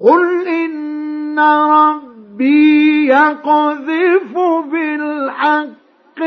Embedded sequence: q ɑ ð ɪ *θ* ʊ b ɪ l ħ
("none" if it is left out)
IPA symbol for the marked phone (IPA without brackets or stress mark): f